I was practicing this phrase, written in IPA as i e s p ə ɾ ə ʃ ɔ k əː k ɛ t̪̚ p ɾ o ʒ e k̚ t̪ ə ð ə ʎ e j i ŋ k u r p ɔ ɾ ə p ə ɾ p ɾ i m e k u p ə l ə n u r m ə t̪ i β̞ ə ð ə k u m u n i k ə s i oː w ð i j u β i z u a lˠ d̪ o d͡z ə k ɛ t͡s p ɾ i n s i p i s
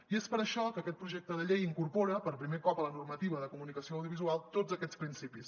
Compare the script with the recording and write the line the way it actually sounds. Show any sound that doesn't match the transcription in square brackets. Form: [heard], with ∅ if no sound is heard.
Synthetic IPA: i e s p ə ɾ ə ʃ ɔ k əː k ɛ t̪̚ p ɾ [u] ʒ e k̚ t̪ ə ð ə ʎ e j i ŋ k u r p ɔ ɾ ə p ə ɾ p ɾ i m e k [ɔ] p ə l ə n u r m ə t̪ i β̞ ə ð ə k u m u n i k ə s i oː w ð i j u β i z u a lˠ [t̪] o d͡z ə k ɛ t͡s p ɾ i n s i p i s

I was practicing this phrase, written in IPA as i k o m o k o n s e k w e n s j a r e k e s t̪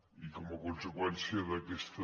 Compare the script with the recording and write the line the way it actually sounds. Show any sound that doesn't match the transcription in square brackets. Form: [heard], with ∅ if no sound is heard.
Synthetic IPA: i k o m o k o n s e k w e n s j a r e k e s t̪

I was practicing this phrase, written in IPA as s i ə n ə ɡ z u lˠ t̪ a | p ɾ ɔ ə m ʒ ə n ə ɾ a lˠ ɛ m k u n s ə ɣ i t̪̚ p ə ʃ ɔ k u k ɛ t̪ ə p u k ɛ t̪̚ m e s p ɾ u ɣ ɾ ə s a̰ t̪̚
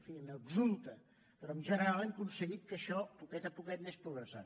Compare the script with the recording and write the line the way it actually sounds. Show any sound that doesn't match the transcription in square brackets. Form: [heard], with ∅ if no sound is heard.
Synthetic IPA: [f] i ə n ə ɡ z u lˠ t̪ [ə] | p ɾ ɔ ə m ʒ ə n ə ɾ a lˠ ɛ m k u n s ə ɣ i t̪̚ [k] ə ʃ ɔ [p] u k ɛ t̪ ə p u k ɛ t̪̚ m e s p ɾ u ɣ ɾ ə s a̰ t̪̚

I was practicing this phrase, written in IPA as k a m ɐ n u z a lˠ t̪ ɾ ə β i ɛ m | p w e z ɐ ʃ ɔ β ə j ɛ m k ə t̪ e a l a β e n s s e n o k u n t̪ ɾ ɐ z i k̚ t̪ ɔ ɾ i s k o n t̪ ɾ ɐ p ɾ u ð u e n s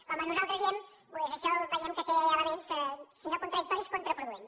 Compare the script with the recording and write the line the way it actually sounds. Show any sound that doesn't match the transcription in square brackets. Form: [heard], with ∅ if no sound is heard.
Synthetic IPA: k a m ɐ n u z a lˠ t̪ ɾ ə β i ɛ m | p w e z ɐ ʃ ɔ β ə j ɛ m k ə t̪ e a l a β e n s s [i] n o k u n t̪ ɾ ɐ [ð] i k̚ t̪ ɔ ɾ i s k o n t̪ ɾ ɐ p ɾ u ð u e n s

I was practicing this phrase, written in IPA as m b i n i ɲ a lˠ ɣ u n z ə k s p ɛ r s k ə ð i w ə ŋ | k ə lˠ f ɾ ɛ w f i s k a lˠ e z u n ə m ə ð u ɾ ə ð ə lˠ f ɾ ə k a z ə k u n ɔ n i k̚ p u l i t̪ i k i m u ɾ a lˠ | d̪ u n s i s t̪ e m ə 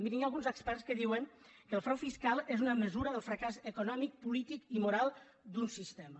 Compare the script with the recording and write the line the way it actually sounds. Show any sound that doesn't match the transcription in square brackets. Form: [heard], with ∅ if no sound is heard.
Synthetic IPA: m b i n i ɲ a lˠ ɣ u n z ə k s p ɛ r s k ə ð i w ə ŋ | k ə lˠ f ɾ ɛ w f i s k a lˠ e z u n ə m ə [z] u ɾ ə ð ə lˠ f ɾ ə k a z ə k u n ɔ [m] i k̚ p u l i t̪ i k i m u ɾ a lˠ | d̪ u n s i s t̪ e m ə

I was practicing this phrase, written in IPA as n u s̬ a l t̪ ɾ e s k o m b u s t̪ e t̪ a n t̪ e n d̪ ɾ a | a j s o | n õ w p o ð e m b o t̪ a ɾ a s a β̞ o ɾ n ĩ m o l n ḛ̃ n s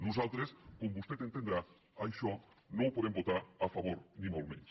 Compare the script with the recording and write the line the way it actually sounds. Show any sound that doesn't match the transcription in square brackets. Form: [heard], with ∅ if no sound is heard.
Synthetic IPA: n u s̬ a l t̪ ɾ e s k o m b u s t̪ e t̪ [e] n t̪ e n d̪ ɾ a | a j [ʃ] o | n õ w p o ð e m b o t̪ a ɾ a [f] a β̞ o ɾ n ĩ m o l [m] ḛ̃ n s

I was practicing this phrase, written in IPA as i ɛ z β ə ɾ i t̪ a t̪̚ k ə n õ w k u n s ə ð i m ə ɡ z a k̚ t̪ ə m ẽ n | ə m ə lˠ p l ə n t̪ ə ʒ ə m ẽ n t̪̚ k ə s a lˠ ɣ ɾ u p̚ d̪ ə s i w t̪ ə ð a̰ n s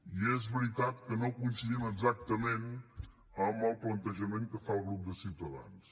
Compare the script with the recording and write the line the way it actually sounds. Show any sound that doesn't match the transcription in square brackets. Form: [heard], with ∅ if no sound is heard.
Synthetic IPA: i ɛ z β ə ɾ i t̪ a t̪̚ k ə n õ w k u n s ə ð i m ə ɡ z a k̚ t̪ ə m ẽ n | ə m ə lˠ p l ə n t̪ ə ʒ ə m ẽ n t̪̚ k ə [f] a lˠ ɣ ɾ u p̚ d̪ ə s i w t̪ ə ð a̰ n s

